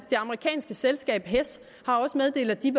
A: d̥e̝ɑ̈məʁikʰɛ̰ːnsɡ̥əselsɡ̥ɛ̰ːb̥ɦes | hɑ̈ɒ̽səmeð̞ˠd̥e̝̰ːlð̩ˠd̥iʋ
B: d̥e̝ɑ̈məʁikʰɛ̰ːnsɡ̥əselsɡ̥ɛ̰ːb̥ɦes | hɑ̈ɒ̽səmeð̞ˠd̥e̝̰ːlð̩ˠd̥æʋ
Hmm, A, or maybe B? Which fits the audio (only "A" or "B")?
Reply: A